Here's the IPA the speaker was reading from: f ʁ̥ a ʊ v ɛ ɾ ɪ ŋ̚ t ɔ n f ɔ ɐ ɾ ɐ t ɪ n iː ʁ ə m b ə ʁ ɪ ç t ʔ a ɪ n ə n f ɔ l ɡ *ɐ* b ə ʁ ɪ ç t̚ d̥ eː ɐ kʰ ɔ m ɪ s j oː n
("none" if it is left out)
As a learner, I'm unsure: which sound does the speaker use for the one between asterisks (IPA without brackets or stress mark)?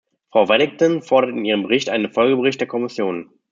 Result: ə